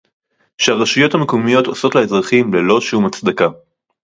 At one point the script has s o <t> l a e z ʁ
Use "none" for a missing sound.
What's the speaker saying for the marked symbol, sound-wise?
t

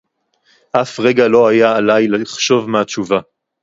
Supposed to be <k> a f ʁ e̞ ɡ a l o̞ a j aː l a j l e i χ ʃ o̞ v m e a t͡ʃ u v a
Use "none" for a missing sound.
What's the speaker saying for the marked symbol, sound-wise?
ʔ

